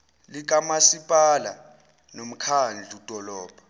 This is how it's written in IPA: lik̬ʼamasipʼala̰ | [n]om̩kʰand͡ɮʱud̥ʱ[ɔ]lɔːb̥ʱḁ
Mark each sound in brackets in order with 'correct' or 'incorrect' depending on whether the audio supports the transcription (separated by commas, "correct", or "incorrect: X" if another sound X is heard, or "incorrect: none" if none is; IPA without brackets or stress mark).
correct, correct